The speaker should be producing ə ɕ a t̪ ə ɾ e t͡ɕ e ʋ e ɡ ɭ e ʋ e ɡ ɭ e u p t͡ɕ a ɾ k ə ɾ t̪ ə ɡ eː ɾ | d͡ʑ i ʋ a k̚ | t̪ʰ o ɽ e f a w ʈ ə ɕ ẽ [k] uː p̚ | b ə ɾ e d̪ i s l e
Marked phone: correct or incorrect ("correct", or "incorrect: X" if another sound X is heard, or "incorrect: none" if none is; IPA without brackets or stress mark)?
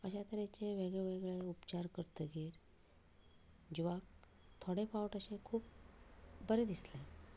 incorrect: kʰ